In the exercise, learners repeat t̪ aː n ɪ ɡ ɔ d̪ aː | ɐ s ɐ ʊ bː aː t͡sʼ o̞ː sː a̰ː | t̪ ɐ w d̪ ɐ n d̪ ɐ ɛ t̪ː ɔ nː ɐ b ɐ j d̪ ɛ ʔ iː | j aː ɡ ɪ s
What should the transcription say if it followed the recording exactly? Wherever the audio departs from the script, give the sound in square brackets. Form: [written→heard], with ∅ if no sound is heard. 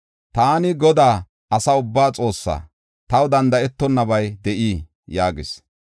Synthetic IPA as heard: t̪ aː n ɪ ɡ ɔ d̪ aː | ɐ s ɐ ʊ bː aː t͡sʼ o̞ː sː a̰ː | t̪ ɐ w d̪ ɐ n d̪ ɐ ɛ t̪ː ɔ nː ɐ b ɐ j d̪ ɛ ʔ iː | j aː ɡ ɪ s